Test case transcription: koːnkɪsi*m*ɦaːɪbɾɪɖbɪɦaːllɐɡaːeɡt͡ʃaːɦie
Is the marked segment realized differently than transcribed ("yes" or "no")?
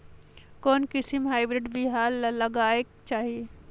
no